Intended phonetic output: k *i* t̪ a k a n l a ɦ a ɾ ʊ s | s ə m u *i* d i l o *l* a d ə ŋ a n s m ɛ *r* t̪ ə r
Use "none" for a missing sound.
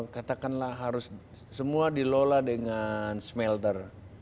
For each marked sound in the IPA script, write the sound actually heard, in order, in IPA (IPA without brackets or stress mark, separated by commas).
a, a, l, l